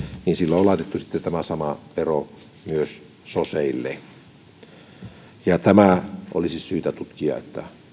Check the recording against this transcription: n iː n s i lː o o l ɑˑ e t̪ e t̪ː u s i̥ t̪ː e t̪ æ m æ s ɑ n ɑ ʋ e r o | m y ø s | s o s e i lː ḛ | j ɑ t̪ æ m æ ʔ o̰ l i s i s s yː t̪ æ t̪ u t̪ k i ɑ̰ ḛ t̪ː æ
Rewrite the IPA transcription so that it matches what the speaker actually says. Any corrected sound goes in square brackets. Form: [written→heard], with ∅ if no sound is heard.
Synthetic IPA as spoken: n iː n s i lː o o l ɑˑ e t̪ e t̪ː u s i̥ t̪ː e t̪ æ m æ s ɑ [n→m] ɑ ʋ e r o | m y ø s | s o s e i lː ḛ | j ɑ t̪ æ m æ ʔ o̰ l i s i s s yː t̪ æ t̪ u t̪ k i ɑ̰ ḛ t̪ː æ